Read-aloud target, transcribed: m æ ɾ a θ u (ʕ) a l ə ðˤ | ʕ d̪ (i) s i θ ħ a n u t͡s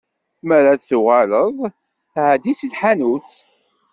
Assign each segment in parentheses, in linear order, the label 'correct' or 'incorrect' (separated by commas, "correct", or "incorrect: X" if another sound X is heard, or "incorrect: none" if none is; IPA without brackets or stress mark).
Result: incorrect: ʁ, correct